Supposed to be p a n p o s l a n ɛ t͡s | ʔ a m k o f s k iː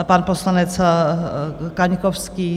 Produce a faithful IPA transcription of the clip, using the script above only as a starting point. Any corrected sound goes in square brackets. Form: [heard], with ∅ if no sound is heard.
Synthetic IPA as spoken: p a n p o s l a n ɛ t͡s | [k] a [ɲ] k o f s k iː